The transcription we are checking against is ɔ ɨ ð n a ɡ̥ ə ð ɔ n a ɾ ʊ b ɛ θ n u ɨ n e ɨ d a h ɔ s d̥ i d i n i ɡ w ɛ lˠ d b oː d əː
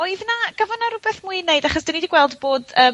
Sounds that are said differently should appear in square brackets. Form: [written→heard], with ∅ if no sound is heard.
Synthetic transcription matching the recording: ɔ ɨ ð n a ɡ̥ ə [ð→v] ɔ n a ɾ ʊ b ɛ θ [n→m] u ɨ n e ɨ d a [h→χ] ɔ s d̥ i [d→n] i [n→d] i ɡ w ɛ lˠ d b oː d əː